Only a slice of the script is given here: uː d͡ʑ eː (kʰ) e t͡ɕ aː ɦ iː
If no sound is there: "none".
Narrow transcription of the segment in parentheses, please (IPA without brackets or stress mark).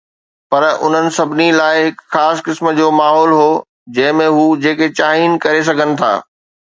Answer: k